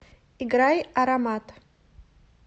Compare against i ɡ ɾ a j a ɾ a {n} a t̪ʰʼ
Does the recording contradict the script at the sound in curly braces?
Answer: yes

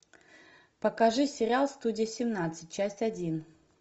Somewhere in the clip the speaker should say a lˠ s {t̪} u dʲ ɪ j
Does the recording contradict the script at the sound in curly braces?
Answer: no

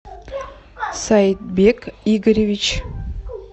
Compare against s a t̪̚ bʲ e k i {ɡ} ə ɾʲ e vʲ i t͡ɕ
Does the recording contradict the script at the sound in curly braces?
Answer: no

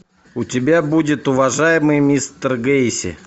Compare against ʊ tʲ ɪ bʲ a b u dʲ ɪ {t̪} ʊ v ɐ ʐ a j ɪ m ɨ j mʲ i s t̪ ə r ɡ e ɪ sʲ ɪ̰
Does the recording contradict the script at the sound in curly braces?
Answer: no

